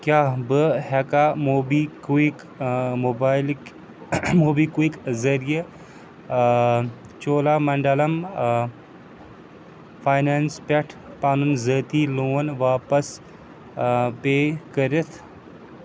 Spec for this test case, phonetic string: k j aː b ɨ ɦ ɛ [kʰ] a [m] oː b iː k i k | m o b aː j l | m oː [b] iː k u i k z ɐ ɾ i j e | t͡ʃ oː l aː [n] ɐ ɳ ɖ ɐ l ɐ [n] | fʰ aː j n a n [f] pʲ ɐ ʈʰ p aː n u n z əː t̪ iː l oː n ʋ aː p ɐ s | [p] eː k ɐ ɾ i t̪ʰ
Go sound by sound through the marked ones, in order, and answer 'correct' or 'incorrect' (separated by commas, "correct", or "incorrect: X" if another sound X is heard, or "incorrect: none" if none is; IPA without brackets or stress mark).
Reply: incorrect: k, correct, correct, incorrect: m, incorrect: m, incorrect: s, correct